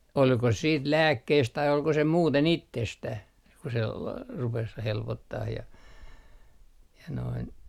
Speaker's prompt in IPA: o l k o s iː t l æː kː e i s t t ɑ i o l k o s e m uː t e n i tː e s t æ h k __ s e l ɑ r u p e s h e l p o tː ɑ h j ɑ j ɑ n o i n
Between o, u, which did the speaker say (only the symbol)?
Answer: u